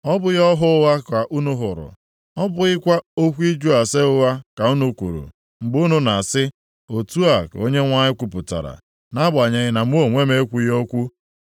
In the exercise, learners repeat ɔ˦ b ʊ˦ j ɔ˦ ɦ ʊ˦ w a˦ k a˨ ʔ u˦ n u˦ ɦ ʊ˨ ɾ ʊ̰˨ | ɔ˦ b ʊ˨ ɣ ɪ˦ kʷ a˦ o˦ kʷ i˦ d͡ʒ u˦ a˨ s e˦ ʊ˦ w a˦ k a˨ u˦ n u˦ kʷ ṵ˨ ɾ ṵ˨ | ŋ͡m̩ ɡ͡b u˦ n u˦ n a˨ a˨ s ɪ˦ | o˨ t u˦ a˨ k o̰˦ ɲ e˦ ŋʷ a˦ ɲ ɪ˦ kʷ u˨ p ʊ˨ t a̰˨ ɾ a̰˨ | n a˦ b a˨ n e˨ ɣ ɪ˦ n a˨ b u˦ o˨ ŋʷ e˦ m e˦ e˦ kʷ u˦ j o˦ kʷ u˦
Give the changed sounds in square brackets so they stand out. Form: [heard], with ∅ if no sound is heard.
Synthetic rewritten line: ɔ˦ b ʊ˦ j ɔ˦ ɦ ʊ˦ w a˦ k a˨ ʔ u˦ n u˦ ɦ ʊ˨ ɾ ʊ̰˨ | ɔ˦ b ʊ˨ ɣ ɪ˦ kʷ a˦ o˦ kʷ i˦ d͡ʒ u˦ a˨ s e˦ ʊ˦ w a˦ k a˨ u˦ n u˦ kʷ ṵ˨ ɾ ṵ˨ | ŋ͡m̩ ɡ͡b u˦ n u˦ n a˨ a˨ s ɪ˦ | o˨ t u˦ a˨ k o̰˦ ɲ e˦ ŋʷ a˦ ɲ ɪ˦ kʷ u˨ p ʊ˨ t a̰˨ ɾ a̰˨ | n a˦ b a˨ [ɲ] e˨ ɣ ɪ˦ n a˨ [m] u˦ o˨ ŋʷ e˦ m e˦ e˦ kʷ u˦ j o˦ kʷ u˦

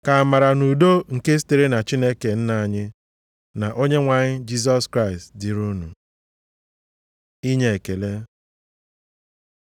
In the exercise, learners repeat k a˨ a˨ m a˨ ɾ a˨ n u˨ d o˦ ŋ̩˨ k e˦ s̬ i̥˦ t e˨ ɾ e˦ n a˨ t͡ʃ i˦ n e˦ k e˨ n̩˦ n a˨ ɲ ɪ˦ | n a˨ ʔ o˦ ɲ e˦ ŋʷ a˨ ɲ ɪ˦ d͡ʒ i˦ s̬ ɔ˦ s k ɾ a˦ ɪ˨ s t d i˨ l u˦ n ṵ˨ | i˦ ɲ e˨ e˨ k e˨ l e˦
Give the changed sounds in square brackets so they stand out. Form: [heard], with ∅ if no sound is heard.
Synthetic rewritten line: k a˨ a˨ m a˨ ɾ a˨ n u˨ d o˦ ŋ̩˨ k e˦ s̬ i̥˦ t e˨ ɾ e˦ n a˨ t͡ʃ i˦ n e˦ k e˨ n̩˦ n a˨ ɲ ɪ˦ | n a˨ ʔ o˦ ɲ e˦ ŋʷ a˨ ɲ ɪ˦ d͡ʒ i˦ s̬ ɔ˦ s k ɾ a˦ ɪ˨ s t d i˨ [ɾ] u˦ n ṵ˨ | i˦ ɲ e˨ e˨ k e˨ l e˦

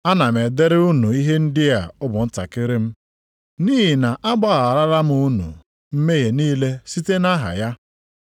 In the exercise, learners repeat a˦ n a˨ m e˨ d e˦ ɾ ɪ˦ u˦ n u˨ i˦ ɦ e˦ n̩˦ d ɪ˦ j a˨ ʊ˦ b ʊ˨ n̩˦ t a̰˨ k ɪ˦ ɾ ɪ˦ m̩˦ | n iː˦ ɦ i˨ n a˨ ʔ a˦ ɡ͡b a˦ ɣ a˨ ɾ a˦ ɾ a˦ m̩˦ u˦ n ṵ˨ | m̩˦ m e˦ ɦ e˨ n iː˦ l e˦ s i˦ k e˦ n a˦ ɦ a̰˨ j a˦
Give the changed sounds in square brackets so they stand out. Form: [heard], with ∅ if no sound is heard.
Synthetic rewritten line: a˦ n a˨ m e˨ d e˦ ɾ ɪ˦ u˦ n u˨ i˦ ɦ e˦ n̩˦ d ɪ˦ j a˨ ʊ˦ b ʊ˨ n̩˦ t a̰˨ k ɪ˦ ɾ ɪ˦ m̩˦ | n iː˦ ɦ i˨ n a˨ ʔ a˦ ɡ͡b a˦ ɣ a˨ ɾ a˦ ɾ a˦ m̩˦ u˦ n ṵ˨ | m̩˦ m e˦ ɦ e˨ n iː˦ l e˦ s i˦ [t] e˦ n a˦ ɦ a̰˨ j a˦

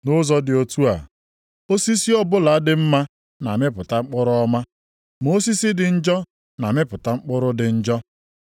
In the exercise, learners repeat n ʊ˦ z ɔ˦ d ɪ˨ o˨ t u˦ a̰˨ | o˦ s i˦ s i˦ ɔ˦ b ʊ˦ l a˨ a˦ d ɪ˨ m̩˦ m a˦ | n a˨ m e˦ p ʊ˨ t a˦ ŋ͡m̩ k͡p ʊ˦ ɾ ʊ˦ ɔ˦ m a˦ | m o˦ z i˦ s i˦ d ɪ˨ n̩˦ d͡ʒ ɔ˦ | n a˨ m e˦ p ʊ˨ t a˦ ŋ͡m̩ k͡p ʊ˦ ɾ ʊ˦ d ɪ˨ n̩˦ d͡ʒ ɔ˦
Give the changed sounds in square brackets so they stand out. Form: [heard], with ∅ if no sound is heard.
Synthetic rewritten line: n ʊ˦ z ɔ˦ d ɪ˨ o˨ t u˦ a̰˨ | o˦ s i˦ s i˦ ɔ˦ b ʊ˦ l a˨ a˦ d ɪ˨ m̩˦ m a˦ | n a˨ m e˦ p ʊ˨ t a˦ ŋ͡m̩ k͡p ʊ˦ ɾ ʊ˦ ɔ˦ m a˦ | m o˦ [s] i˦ s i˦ d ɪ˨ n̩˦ d͡ʒ ɔ˦ | n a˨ m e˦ p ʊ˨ t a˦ ŋ͡m̩ k͡p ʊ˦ ɾ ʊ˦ d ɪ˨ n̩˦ d͡ʒ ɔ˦

